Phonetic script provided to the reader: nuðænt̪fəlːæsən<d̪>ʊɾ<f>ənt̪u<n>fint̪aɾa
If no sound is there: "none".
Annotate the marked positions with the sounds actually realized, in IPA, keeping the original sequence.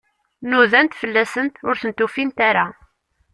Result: t̪, θ, none

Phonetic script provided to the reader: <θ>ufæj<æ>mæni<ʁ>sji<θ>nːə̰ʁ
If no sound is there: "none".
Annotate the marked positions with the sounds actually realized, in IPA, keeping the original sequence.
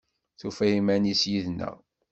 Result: θ, i, none, ð

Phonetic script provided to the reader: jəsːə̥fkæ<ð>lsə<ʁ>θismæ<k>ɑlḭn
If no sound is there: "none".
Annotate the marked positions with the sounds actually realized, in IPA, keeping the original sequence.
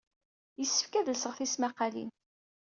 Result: ð, ʁ, q

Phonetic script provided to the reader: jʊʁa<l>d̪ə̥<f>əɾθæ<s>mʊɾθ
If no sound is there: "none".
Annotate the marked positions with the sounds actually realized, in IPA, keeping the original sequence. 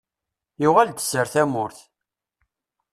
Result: l, s, none

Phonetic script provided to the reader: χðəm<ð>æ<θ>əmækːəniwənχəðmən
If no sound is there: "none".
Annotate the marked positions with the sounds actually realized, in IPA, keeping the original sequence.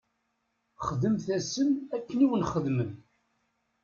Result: θ, s

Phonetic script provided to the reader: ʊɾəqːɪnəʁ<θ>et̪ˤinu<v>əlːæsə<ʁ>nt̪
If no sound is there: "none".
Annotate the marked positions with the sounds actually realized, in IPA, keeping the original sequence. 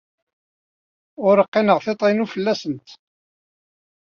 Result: θ, f, none

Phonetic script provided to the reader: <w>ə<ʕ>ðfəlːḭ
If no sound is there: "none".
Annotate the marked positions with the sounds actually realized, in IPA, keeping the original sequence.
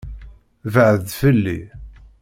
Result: v, ʕ

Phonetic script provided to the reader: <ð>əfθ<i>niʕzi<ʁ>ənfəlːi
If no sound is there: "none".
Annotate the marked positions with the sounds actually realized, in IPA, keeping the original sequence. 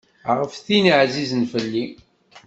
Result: ʁ, i, z

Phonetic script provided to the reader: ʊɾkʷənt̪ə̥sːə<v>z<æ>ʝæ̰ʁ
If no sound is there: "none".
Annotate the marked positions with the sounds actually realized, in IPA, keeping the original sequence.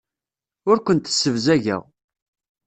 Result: v, æ

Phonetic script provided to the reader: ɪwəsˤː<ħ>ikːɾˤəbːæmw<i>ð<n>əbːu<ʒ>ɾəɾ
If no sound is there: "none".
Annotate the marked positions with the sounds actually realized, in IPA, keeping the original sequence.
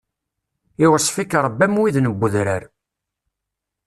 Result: f, i, n, ð

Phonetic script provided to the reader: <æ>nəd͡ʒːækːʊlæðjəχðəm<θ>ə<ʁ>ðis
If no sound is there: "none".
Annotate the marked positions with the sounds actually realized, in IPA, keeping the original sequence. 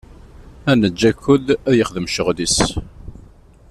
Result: æ, ʃ, ʁ

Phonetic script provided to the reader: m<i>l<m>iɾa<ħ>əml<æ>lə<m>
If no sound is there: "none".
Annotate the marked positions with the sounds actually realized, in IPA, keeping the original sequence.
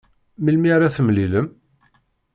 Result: i, m, θ, i, m

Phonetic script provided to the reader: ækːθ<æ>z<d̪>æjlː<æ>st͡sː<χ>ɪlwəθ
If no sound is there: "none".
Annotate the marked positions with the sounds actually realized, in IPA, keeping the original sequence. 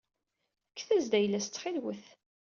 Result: æ, d̪, æ, χ

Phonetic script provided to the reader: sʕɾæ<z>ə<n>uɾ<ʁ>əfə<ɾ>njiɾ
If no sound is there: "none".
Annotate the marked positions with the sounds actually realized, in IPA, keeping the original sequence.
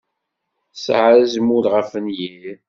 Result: z, m, ʁ, none

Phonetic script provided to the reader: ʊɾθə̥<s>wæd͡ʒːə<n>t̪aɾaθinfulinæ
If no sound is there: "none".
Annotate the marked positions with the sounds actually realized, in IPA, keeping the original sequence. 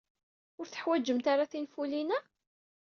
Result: ħ, m

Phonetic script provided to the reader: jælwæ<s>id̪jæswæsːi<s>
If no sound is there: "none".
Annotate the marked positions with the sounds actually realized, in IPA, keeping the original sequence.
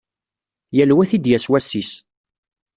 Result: θ, s

